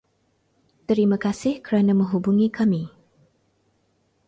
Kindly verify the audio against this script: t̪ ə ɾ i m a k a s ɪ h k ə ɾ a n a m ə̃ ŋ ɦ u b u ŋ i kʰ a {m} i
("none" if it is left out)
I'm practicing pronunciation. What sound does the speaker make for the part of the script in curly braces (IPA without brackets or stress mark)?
m